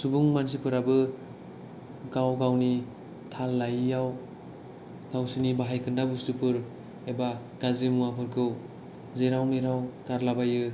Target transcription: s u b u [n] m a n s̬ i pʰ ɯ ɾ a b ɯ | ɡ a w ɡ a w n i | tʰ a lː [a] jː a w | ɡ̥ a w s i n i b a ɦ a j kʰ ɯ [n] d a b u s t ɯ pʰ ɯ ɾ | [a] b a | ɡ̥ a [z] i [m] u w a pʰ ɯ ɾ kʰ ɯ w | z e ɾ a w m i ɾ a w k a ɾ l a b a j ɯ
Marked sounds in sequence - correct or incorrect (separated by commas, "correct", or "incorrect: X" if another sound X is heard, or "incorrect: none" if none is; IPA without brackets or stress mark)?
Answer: incorrect: ŋ, correct, correct, incorrect: e, correct, correct